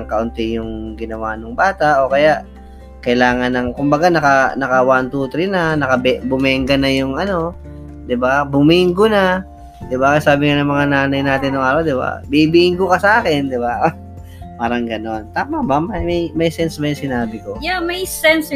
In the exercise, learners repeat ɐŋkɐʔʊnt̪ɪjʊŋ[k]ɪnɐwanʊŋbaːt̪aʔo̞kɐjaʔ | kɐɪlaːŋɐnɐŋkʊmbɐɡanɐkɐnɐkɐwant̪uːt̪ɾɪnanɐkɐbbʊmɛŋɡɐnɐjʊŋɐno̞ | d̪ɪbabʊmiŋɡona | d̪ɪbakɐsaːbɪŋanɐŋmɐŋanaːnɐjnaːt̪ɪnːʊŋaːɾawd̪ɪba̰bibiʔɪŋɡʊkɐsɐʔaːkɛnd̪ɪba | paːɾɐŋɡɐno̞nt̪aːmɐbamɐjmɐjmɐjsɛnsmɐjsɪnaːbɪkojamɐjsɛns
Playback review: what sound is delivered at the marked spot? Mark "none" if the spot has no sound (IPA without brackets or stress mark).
ɡ